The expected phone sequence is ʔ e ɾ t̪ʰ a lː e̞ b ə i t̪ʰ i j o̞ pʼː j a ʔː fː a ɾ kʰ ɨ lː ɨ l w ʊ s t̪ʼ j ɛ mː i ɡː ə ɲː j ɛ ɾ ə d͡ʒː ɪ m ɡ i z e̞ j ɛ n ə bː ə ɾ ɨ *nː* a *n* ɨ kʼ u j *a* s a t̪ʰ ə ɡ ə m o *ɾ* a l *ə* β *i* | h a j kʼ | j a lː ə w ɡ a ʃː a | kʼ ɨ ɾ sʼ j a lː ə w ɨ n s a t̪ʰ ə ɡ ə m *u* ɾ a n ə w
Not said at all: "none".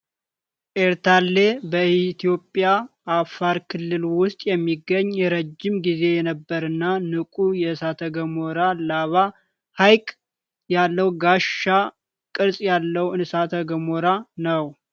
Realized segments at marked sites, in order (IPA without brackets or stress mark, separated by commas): nː, n, ɛ, ɾ, a, a, o